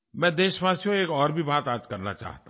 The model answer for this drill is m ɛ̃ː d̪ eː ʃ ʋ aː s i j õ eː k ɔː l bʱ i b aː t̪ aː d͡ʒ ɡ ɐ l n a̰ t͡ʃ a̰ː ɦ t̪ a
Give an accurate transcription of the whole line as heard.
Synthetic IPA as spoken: m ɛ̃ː d̪ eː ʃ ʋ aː s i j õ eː k ɔː ɾ bʱ i b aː t̪ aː d͡ʒ k ɐ ɾ n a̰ t͡ʃ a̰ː ɦ t̪ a